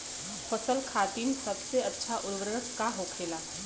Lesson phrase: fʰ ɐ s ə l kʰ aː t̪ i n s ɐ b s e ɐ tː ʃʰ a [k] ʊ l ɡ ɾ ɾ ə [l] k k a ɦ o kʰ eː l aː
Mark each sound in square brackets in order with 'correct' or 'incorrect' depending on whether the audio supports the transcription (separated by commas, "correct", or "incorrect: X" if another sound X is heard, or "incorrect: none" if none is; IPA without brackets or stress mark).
incorrect: ʔ, incorrect: none